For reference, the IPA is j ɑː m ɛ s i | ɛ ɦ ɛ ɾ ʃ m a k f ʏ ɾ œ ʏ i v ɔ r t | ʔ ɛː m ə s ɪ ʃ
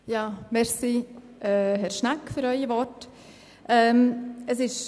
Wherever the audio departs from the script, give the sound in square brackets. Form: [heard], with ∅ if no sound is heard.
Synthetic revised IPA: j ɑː m ɛ s i | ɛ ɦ ɛ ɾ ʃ [n] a k f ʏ ɾ œ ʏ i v ɔ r t | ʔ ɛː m ə s ɪ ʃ

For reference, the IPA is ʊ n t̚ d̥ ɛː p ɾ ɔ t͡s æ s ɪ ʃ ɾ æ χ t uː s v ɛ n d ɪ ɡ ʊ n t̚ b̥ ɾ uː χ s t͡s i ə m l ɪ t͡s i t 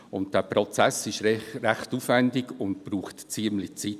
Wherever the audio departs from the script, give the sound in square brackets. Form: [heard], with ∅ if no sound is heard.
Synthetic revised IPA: ʊ n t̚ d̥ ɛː p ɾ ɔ t͡s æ s ɪ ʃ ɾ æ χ t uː [f] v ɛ n d ɪ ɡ ʊ n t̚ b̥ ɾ uː χ [t] t͡s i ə m l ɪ t͡s i t

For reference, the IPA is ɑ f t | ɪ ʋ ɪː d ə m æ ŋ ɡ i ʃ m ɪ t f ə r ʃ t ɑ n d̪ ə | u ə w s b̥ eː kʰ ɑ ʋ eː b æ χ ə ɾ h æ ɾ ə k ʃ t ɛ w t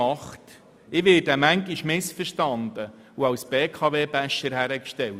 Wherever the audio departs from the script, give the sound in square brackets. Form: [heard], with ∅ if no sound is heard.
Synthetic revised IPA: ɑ [χ] t | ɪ ʋ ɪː d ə m æ ŋ ɡ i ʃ m ɪ [s] f ə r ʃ t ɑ n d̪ ə | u [ɑ] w s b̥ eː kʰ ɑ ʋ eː b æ [ʃ] ə ɾ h æ ɾ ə k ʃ t ɛ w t

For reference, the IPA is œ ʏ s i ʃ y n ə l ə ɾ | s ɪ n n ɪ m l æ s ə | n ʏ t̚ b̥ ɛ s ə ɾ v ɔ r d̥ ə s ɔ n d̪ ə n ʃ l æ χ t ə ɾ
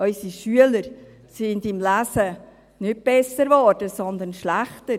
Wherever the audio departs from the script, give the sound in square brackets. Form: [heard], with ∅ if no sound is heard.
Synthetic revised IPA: œ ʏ s i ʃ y [∅] ə l ə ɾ | s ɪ n [d] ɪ m l æ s ə | n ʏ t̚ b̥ ɛ s ə ɾ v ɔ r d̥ ə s ɔ n d̪ ə n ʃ l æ χ t ə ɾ

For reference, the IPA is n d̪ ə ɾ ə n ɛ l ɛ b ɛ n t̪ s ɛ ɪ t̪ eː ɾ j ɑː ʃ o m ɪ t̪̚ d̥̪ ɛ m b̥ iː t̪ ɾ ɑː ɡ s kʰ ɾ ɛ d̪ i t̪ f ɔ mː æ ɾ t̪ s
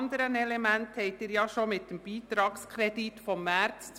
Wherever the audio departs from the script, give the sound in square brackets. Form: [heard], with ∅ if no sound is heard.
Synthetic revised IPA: n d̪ ə ɾ ə n ɛ l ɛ [m] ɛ n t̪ [h] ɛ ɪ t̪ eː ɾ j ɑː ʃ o m ɪ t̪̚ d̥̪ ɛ m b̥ iː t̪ ɾ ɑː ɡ s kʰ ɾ ɛ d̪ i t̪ f ɔ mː æ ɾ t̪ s

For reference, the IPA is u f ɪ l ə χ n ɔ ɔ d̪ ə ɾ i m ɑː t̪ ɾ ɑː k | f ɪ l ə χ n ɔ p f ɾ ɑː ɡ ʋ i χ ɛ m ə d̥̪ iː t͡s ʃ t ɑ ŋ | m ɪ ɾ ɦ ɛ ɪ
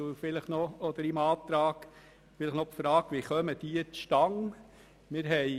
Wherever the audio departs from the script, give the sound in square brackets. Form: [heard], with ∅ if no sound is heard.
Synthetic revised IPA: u f ɪ l ə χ n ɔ ɔ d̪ ə ɾ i m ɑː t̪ ɾ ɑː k | f ɪ l ə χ n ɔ p f ɾ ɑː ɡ ʋ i χ [œ] m ə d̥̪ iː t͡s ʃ t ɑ ŋ | m ɪ ɾ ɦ ɛ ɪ

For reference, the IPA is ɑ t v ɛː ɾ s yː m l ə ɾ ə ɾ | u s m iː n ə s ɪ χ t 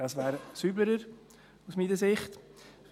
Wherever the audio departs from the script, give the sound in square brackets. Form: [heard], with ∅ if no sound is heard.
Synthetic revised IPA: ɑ [s] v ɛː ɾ s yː [b] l ə ɾ ə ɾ | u s m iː n ə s ɪ χ t

